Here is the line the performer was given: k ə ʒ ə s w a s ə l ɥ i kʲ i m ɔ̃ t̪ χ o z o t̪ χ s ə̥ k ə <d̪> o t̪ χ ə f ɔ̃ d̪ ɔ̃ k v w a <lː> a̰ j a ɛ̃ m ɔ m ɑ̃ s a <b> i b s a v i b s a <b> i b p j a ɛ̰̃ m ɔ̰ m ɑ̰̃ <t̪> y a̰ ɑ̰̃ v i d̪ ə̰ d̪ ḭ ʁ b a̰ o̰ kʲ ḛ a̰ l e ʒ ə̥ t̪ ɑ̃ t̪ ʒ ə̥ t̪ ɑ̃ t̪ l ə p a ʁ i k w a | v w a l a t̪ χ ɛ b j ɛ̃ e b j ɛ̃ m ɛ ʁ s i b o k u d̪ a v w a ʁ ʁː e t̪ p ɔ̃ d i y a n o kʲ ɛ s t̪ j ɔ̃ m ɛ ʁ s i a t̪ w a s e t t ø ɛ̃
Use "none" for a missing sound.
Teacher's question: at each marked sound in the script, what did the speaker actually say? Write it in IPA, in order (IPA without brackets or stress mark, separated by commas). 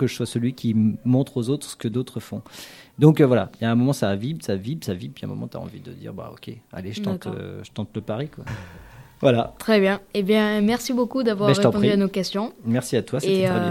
d̪, l, v, v, t̪